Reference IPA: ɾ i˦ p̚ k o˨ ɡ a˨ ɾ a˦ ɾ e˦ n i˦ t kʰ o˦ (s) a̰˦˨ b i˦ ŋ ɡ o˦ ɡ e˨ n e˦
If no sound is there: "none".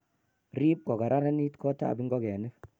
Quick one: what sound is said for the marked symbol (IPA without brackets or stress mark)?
t